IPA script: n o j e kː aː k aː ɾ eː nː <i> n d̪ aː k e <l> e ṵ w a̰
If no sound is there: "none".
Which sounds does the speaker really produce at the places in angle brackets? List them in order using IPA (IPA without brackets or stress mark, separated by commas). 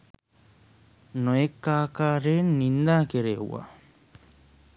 i, ɾ